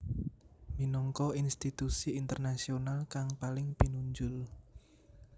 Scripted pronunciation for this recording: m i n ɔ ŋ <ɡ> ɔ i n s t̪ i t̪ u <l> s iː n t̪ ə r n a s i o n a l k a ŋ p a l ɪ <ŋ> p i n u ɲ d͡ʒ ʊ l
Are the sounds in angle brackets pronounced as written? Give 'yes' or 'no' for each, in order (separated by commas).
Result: no, no, yes